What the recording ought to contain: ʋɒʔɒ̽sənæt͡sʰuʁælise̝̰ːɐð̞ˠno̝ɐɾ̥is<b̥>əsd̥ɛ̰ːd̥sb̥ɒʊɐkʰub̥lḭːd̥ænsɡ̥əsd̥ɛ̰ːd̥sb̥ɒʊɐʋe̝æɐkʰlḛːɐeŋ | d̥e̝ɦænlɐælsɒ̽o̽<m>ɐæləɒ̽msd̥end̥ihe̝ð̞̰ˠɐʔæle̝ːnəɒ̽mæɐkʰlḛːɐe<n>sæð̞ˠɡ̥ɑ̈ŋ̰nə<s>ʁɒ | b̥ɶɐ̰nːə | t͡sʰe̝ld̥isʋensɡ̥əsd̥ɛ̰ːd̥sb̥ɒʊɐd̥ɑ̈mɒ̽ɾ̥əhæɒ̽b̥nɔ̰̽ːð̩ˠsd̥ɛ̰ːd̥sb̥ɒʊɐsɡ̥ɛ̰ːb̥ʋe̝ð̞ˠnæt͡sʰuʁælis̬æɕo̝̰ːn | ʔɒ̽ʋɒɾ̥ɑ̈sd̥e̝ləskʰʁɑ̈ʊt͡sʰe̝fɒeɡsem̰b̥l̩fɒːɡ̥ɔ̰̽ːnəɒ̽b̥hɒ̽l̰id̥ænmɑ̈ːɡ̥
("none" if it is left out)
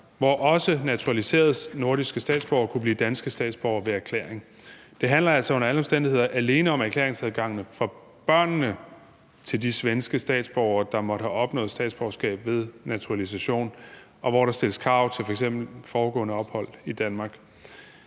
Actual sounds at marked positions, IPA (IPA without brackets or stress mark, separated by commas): ɡ̥, n, ŋ, f